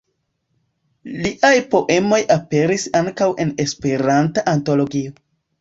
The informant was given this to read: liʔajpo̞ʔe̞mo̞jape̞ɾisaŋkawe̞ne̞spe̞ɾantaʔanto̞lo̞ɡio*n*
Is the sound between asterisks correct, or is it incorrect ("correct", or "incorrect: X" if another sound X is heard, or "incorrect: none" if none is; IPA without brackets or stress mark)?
incorrect: none